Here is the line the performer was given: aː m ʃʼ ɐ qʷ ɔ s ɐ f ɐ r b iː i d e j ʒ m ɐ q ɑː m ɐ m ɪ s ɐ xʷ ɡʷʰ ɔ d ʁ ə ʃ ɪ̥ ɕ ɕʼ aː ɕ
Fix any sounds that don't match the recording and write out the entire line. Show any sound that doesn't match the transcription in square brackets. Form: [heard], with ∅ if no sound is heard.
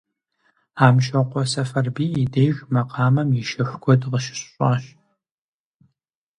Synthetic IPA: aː m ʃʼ ɐ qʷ ɔ s ɐ f ɐ r b iː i d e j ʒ m ɐ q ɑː m ɐ m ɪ [ʃ] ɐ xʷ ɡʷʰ ɔ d ʁ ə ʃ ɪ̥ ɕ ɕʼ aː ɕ